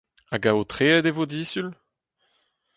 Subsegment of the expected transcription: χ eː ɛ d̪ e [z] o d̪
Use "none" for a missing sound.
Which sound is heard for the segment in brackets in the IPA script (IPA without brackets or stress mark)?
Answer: v